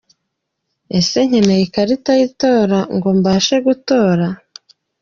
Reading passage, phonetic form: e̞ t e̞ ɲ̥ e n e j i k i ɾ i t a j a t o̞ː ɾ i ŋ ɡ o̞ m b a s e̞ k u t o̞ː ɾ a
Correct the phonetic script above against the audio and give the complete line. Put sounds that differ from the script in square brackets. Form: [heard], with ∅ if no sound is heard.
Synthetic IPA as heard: e̞ [s] e̞ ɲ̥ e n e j i k [a] ɾ i t a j [i] t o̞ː ɾ [a] ŋ ɡ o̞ m b a [ʃ] e̞ [ɡ] u t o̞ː ɾ a